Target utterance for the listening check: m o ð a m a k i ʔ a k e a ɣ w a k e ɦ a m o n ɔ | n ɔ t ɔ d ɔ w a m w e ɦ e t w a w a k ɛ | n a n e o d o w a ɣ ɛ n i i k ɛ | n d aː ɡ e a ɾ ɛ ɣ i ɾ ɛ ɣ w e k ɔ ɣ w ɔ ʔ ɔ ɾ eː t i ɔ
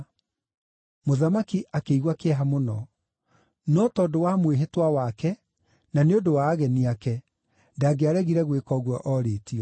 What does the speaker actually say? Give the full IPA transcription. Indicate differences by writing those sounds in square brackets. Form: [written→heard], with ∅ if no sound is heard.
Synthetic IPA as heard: m o ð a m a k i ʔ a k e [a→i] ɣ w a k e ɦ a m o n ɔ | n ɔ t ɔ d [ɔ→o] w a m w e ɦ e t w a w a k ɛ | n a n e o d o w a ɣ ɛ n i [i→a] k ɛ | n d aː ɡ e a ɾ ɛ ɣ i ɾ ɛ ɣ w e k ɔ ɣ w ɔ ʔ ɔ ɾ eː t i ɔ

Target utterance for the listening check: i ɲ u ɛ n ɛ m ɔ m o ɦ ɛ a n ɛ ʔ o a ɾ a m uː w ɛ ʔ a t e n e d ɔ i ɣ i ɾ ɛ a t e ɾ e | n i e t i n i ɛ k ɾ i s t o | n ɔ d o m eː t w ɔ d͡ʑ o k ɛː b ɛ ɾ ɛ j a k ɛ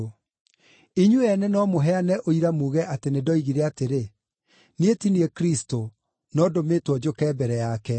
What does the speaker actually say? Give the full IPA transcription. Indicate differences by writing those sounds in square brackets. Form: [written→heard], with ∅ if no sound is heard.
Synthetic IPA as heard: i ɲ u ɛ n ɛ [m→n] ɔ m o ɦ ɛ a n ɛ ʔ o [a→i] ɾ a m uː [w→ɣ] ɛ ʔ a t e n e d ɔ i ɣ i ɾ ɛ a t e ɾ e | n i e t i n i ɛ k ɾ i s t o | n ɔ d o m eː t w ɔ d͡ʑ o k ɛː b ɛ ɾ ɛ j a k ɛ

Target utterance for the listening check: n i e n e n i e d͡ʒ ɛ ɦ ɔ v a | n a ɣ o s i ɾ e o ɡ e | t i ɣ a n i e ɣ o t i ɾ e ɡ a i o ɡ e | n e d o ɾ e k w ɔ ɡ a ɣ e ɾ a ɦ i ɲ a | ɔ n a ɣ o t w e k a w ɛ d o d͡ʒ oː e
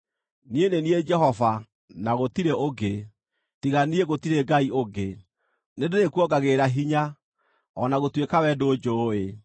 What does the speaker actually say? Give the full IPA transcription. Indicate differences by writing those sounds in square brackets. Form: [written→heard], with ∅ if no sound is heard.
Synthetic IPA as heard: n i e n e n i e d͡ʒ ɛ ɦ ɔ v a | n a ɣ o [s→t] i ɾ e o ɡ e | t i ɣ a n i e ɣ o t i ɾ e ɡ a i o ɡ e | n e d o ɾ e k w ɔ ɡ a ɣ e ɾ a ɦ i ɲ a | ɔ n a ɣ o t w e k a w ɛ d o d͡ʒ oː e

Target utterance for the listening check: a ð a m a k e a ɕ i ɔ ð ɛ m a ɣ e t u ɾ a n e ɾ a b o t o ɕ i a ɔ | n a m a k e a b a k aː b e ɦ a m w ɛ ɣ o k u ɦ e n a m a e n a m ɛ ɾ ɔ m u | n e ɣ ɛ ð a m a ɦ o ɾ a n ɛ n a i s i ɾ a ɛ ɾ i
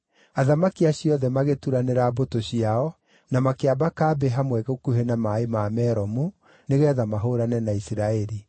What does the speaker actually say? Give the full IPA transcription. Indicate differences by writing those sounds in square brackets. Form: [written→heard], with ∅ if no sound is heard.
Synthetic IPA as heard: a ð a m a k [e→i] a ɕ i ɔ ð ɛ m a ɣ e t u ɾ a n e ɾ a b o t o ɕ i a ɔ | n a m a k e a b a k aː b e ɦ a m w ɛ ɣ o k u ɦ e n a m a e [n→m] a m ɛ ɾ ɔ m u | n e ɣ ɛ ð a m a ɦ o ɾ a n ɛ n a i s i ɾ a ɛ ɾ i

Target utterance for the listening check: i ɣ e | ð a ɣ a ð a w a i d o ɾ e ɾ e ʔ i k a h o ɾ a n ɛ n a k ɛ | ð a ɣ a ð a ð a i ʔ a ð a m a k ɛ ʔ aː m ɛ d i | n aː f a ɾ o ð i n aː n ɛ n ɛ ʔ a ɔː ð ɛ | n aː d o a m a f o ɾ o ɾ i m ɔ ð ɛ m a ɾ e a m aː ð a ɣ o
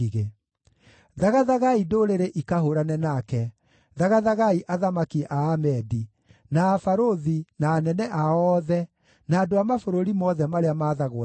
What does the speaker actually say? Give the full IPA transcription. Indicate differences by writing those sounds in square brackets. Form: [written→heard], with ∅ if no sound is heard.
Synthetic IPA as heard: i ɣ e | ð a ɣ a ð a [w→ɣ] a i d o ɾ e ɾ e ʔ i k a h o ɾ a n ɛ n a k ɛ | ð a ɣ a ð a [ð→ɣ] a i ʔ a ð a m a k [ɛ→i] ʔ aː m ɛ d i | n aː f a ɾ o ð i n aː n ɛ n ɛ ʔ a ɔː ð ɛ | n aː d o a m a f o ɾ o ɾ i m ɔ ð ɛ m a ɾ e a m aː ð a ɣ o

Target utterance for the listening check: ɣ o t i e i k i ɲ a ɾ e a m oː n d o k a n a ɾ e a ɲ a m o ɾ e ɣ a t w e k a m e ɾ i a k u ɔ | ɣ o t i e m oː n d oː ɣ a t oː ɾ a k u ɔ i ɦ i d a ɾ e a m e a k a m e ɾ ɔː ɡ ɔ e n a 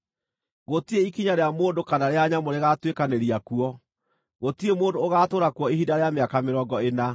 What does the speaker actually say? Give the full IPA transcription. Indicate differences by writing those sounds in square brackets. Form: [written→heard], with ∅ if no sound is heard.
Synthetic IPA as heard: ɣ o t i e i k i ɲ a ɾ e a m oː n d o k a n a ɾ e a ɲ a m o ɾ e ɣ a t w e k a [m→n] e ɾ i a k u ɔ | ɣ o t i e m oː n d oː ɣ a t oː ɾ a k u ɔ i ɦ i d a ɾ e a m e a k a m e ɾ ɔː ɡ ɔ e n a

